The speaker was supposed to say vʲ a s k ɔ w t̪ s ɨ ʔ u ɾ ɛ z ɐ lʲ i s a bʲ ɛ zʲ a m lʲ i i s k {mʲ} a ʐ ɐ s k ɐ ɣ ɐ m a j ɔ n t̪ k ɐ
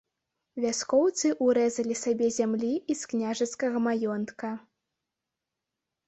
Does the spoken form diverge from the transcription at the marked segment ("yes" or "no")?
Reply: yes